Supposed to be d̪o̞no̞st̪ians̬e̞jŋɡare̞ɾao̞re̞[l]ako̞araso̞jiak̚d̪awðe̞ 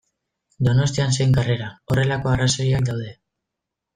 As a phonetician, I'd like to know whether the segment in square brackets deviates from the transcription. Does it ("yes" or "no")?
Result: no